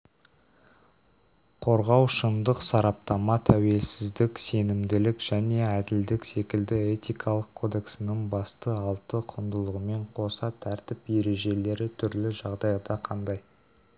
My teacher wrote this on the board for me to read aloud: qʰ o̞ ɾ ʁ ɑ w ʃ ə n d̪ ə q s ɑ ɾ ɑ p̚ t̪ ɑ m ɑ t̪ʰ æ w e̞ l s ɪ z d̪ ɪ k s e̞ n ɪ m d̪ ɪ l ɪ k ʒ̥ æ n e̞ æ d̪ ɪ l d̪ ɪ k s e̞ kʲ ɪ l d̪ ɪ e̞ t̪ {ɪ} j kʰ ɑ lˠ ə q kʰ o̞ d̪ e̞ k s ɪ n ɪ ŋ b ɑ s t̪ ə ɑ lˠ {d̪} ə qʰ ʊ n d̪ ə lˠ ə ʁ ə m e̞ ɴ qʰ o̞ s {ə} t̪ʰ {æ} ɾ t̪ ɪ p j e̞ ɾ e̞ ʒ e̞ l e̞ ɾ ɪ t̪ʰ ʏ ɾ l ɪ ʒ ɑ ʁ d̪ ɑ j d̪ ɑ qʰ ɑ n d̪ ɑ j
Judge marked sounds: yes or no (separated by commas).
no, no, no, yes